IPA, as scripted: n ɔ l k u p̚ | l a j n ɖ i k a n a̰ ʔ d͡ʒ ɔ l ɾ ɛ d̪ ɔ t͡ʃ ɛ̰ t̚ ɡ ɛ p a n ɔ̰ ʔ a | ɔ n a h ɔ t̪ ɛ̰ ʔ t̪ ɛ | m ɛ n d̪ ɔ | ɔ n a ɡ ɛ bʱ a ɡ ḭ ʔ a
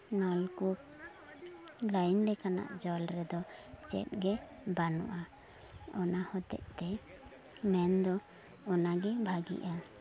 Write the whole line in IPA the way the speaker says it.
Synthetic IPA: n ɔ l k u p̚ | l a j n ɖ ɛ k a n a̰ ʔ d͡ʒ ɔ l ɾ ɛ d̪ ɔ t͡ʃ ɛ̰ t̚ ɡ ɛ b a n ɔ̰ ʔ a | ɔ n a h ɔ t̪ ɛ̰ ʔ t̪ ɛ | m ɛ n d̪ ɔ | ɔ n a ɡ ɛ bʱ a ɡ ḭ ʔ a

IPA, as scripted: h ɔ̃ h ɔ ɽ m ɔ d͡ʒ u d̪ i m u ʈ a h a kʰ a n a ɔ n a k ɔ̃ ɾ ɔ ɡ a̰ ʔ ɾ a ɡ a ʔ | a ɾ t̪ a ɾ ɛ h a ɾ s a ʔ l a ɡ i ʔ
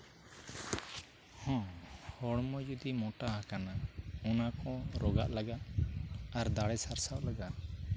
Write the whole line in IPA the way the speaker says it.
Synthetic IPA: h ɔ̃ h ɔ ɽ m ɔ d͡ʒ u d̪ i m ɔ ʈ a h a k a n a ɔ n a k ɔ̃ ɾ ɔ ɡ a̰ ʔ l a ɡ a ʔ | a ɾ d̪ a ɽ ɛ s a ɾ s a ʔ l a ɡ a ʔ

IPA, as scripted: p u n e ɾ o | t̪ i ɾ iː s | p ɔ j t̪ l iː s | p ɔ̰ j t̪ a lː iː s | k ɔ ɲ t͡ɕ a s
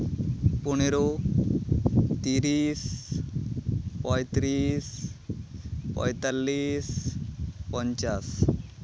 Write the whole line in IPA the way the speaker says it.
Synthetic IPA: p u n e ɾ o | t̪ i ɾ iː s | p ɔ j t̪ ɾ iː s | p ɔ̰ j t̪ a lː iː s | p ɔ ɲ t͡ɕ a s

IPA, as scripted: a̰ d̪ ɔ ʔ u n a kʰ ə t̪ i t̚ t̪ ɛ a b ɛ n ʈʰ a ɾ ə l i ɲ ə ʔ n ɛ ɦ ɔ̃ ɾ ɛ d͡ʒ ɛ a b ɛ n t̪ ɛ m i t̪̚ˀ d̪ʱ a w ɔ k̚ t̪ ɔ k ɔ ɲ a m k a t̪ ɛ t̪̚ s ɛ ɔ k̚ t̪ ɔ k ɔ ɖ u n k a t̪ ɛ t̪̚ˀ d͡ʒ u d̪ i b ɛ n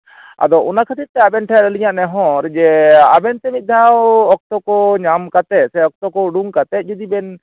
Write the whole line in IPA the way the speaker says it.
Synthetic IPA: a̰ d̪ ɔ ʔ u n a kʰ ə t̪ i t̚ t̪ ɛ a b ɛ n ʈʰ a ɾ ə l i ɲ a ʔ n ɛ ɦ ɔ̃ ɾ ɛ d͡ʒ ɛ a b ɛ n t̪ ɛ m i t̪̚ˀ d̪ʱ a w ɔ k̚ t̪ ɔ k ɔ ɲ a m k a t̪ ɛ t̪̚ s ɛ ɔ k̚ t̪ ɔ k ɔ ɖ u ŋ k a t̪ ɛ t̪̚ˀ d͡ʒ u d̪ i b ɛ n

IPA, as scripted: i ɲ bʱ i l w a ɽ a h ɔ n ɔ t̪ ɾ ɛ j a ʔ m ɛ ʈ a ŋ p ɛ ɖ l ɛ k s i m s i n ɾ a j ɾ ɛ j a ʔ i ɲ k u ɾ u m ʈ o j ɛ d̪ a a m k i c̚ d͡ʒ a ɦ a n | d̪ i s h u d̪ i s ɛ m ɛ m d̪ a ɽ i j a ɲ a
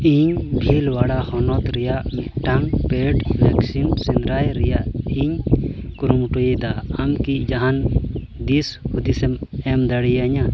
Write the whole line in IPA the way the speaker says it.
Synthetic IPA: i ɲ bʱ i l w a ɽ a h ɔ n ɔ t̪ ɾ ɛ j a ʔ m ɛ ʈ a ŋ p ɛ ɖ l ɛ k s i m s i n ɾ a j ɾ ɛ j a ʔ i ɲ k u ɾ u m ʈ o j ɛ d̪ a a m k i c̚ d͡ʒ a ɦ a n | d̪ i s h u d̪ i s ɛ m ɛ m d̪ a ɽ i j a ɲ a

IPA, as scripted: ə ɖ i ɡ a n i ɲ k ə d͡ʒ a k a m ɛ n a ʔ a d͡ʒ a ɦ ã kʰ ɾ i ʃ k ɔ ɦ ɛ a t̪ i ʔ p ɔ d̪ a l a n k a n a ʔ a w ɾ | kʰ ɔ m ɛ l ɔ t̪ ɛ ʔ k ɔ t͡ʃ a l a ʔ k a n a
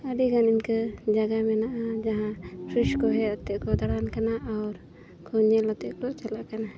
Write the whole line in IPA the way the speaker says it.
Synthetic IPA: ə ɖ i ɡ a n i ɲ k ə d͡ʒ a ɡ a m ɛ n a ʔ a d͡ʒ a ɦ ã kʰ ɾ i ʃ k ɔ ɦ ɛ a t̪ ɛ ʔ k ɔ d̪ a ɽ a n k a n a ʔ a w ɾ | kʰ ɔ ɲ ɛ l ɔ t̪ ɛ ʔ k ɔ t͡ʃ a l a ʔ k a n a

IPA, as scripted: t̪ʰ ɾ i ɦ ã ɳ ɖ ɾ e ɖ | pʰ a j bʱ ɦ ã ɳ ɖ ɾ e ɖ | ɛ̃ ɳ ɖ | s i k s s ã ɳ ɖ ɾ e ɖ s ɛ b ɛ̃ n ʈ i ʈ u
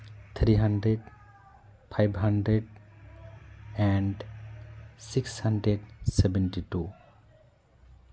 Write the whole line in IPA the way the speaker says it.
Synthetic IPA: t̪ʰ ɾ i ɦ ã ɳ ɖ ɾ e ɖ | pʰ a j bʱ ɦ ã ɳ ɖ ɾ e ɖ | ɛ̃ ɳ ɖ | s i k s h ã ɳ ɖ ɾ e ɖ s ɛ b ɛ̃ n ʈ i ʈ u

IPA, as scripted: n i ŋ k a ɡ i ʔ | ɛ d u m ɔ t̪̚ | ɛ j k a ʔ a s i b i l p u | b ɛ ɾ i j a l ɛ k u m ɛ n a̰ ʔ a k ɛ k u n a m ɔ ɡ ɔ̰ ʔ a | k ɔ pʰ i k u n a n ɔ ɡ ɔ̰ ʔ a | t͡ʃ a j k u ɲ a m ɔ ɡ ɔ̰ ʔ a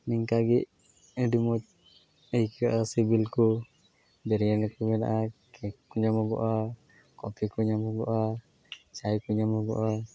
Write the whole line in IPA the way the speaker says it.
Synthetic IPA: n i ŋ k a ɡ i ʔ | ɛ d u m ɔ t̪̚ | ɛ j k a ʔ a s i b i l k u | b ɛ ɾ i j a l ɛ k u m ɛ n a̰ ʔ a k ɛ k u ɲ a m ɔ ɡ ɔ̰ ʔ a | k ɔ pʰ i k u ɲ a m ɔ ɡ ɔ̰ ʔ a | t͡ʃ a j k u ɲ a m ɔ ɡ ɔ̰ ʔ a

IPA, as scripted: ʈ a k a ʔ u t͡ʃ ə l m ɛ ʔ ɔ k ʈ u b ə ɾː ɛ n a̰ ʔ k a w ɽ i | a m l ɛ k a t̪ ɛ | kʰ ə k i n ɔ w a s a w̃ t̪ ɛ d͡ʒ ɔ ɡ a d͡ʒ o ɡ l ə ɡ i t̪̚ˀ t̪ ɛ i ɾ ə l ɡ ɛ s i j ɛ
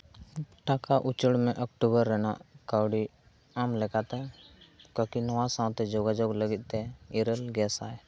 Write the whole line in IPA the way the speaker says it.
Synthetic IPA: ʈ a k a ʔ u t͡ʃ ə ɽ m ɛ ʔ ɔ k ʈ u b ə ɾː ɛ n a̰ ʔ k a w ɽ i | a m l ɛ k a t̪ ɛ | k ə k i n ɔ w a s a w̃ t̪ ɛ d͡ʒ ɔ ɡ a d͡ʒ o ɡ l ə ɡ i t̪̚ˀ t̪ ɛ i ɾ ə l ɡ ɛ s a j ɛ

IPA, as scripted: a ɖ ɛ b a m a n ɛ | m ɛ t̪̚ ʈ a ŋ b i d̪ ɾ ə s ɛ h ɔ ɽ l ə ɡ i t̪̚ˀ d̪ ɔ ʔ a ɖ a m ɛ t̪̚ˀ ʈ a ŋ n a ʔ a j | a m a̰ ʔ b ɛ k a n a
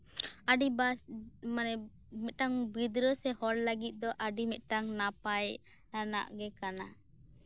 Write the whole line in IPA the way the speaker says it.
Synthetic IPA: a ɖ i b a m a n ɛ | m ɛ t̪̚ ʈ a ŋ b i d̪ ɾ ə s ɛ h ɔ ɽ l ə ɡ i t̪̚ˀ d̪ ɔ ʔ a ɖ i m ɛ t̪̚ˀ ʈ a ŋ n a p a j | a n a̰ ʔ ɡ ɛ k a n a

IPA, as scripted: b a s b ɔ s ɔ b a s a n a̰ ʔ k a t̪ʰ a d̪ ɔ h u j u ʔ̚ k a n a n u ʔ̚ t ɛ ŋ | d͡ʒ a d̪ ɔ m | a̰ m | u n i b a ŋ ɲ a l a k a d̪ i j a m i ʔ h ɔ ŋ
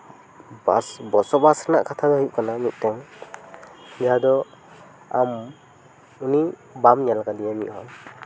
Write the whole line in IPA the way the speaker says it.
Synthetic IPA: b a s b ɔ s ɔ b a s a n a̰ ʔ k a t̪ʰ a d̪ ɔ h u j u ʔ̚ k a n a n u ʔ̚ t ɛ ŋ | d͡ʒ a d̪ ɔ | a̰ m | u n i b a m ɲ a l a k a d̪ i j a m i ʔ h ɔ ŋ

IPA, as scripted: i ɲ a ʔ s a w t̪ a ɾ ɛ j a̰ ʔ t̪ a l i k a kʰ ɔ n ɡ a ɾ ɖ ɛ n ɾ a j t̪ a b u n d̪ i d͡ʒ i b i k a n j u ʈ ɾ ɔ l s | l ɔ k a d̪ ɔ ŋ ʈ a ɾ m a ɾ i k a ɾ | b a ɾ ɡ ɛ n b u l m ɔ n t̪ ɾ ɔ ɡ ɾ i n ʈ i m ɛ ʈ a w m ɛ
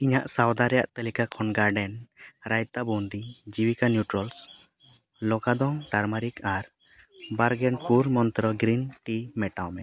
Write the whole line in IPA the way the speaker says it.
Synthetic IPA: i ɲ a ʔ s a w d̪ a ɾ ɛ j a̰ ʔ t̪ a l i k a kʰ ɔ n ɡ a ɾ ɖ ɛ n ɾ a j t̪ a b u n d̪ i d͡ʒ i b i k a n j u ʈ ɾ ɔ l s | l ɔ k a d̪ ɔ ŋ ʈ a ɾ m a ɾ i k a ɾ | b a ɾ ɡ ɛ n p u ɾ m ɔ n t̪ ɾ ɔ ɡ ɾ i n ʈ i m ɛ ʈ a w m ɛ

